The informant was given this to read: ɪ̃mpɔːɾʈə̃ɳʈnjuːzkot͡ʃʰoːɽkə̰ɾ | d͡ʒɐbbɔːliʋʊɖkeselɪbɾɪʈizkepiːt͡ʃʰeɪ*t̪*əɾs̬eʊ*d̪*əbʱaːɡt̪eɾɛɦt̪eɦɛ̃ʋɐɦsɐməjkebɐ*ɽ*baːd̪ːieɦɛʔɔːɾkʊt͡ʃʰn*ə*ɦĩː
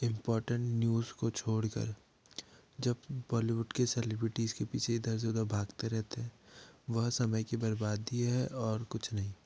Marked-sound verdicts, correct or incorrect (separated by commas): incorrect, correct, incorrect, incorrect